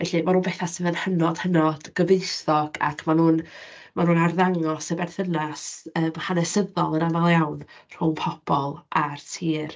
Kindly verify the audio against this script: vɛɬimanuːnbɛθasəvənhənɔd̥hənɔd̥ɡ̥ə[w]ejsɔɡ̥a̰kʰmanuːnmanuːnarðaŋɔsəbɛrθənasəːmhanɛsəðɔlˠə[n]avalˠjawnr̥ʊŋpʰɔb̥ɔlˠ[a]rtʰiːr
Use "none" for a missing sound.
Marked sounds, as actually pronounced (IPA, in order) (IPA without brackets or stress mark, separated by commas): v, n, a